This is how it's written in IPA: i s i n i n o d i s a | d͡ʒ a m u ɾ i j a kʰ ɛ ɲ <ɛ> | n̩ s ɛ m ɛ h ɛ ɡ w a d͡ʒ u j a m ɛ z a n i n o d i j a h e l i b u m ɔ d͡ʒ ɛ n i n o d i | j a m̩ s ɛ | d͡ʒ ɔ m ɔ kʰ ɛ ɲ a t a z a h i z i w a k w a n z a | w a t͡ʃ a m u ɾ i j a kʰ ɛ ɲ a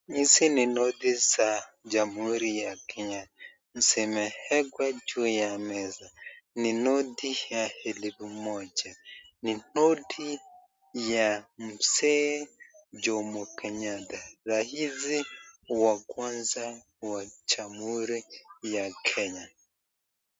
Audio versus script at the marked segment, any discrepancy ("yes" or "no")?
yes